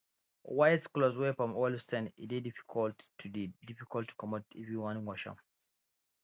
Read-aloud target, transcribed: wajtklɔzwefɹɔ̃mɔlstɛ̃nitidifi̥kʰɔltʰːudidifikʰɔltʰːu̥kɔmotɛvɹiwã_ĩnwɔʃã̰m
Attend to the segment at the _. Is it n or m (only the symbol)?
n